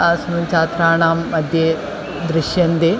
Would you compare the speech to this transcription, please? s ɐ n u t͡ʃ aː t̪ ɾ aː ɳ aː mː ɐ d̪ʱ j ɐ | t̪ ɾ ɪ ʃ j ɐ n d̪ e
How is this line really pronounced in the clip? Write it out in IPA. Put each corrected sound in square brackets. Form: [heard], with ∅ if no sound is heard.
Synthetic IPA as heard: s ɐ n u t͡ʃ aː t̪ ɾ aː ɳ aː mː ɐ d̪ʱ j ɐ | [d̪] ɾ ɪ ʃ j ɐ n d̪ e